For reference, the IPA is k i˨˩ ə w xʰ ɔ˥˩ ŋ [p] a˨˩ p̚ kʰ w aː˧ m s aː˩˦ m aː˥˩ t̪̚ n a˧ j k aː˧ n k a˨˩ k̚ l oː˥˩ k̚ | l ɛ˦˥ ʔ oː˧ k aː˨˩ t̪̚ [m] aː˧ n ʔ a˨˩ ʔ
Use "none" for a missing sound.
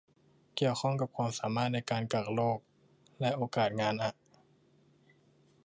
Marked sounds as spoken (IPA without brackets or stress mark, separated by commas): k, ŋ